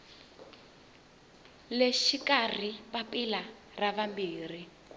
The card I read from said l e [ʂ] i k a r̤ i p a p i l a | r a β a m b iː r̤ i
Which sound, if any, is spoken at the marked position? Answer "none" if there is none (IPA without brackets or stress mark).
ʃ